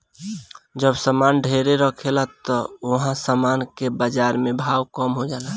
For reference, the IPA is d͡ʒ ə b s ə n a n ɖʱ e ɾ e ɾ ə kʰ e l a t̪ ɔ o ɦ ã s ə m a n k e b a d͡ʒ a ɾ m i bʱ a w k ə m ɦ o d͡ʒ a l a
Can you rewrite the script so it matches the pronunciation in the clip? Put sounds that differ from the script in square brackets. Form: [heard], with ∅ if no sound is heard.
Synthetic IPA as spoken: d͡ʒ ə b s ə [m] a n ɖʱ e ɾ e ɾ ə kʰ e l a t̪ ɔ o ɦ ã s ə m a n k e b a d͡ʒ a ɾ m [e] bʱ a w k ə m ɦ o d͡ʒ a l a

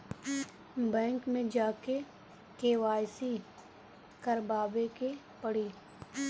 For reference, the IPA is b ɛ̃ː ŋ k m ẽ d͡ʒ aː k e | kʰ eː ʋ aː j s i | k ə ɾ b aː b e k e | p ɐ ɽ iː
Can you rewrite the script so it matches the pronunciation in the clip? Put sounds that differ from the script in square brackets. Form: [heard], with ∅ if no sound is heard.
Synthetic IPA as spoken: b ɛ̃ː ŋ k m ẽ d͡ʒ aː k e | [k] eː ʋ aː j s i | k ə ɾ b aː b e k e | p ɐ ɽ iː

